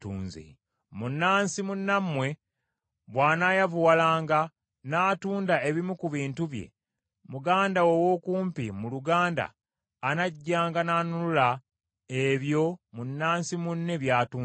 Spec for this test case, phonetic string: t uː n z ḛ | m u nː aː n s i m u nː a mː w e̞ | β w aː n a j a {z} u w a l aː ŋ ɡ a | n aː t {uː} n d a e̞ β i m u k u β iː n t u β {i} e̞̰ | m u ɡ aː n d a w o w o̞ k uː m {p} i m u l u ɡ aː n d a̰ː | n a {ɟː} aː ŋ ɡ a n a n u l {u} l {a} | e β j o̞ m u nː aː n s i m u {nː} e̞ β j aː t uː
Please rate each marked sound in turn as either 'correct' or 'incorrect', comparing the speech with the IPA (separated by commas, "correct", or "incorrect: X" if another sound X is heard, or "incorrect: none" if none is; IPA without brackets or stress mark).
incorrect: v, correct, incorrect: j, correct, correct, correct, correct, correct